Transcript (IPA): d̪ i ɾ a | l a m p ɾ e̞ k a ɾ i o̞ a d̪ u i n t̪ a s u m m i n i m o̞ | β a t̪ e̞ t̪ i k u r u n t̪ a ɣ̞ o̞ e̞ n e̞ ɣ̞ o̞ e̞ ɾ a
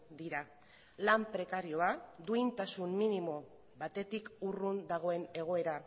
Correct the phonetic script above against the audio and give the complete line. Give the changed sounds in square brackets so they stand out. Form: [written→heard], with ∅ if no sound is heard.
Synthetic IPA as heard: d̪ i ɾ a | l a m p ɾ e̞ k a ɾ i o̞ a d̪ u i n t̪ a s u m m i n i m o̞ | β a t̪ e̞ t̪ i k u r u n [t̪→d̪] a ɣ̞ o̞ e̞ n e̞ ɣ̞ o̞ e̞ ɾ a

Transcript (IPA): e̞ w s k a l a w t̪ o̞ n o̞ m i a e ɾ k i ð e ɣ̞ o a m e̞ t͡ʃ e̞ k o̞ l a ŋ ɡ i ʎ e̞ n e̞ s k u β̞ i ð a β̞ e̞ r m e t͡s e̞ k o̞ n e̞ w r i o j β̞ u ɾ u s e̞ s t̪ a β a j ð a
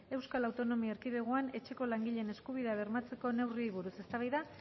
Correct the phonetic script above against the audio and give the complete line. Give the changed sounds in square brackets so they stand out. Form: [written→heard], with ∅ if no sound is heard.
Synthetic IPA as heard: e̞ w s k a l a w t̪ o̞ n o̞ m i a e ɾ k i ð e ɣ̞ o a [m→n] e̞ t͡ʃ e̞ k o̞ l a ŋ ɡ i ʎ e̞ n e̞ s k u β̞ i ð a β̞ e̞ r m [e→a] t͡s e̞ k o̞ n e̞ w r i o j β̞ u ɾ u s e̞ s t̪ a β a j ð a

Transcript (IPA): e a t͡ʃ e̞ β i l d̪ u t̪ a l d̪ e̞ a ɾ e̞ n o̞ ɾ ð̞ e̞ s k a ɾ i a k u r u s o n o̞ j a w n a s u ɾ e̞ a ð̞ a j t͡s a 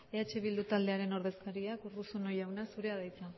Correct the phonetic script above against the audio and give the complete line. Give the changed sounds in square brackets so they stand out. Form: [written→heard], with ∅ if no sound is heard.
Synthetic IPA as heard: e a t͡ʃ e̞ β i l d̪ u t̪ a l d̪ e̞ a ɾ e̞ n o̞ ɾ ð̞ e̞ s k a ɾ i a k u r u s o n o̞ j a w n a s u ɾ e̞ a ð̞ a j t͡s a

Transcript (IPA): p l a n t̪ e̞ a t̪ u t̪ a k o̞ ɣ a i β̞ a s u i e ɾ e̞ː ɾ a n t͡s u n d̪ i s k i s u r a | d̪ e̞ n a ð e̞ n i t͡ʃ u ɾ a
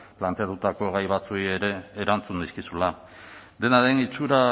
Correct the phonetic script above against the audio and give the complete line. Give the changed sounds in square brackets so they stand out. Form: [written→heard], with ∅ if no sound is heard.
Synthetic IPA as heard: p l a n t̪ e̞ a t̪ u t̪ a k o̞ ɣ a [i→j] β̞ a [s→t͡s] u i e ɾ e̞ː ɾ a n t͡s u n d̪ i s k i s u [r→l] a | d̪ e̞ n a ð e̞ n i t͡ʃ u ɾ a

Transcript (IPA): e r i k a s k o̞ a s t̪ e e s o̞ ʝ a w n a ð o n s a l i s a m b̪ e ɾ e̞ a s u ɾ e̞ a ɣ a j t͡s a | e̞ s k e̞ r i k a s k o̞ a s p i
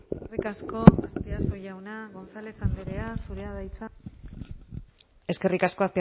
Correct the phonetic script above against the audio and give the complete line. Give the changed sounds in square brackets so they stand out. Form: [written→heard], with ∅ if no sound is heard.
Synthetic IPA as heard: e r i k a s k o̞ a s t̪ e [e→a] s o̞ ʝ a w n a [ð→ɣ] o n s a l [i→e] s a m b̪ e ɾ e̞ a s u ɾ e̞ a [ɣ→ð] a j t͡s a | e̞ s k e̞ r i k a s k o̞ a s p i

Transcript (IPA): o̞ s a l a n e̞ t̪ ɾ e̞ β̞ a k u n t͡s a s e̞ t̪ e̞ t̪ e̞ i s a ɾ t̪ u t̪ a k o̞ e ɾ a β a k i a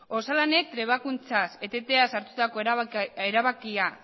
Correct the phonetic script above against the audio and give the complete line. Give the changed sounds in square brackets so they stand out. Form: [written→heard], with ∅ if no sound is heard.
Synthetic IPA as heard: o̞ s a l a n e̞ t̪ ɾ e̞ β̞ a k u n t͡s a s e̞ t̪ e̞ t̪ e̞ [i→a] s a ɾ t̪ u t̪ a k o̞ e ɾ a β a k i a

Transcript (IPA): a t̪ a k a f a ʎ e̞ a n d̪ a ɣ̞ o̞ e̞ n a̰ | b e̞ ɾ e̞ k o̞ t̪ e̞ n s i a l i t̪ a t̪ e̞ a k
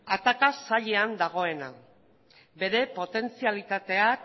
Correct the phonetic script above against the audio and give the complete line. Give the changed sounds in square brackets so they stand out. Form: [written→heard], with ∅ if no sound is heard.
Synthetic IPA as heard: a t̪ a k a [f→s] a ʎ e̞ a n d̪ a ɣ̞ o̞ e̞ n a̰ | b e̞ ɾ e̞ [k→p] o̞ t̪ e̞ n [s→t͡s] i a l i t̪ a t̪ e̞ a k

